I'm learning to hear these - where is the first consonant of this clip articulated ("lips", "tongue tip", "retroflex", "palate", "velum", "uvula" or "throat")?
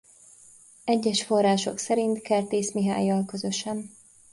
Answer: palate